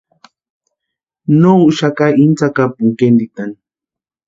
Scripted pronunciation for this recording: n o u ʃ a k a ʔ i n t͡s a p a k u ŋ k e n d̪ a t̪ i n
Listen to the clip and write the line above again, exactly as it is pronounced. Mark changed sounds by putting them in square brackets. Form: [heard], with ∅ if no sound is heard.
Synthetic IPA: n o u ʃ a k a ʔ i n t͡s a [k] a [p] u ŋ k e n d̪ [i] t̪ [a] n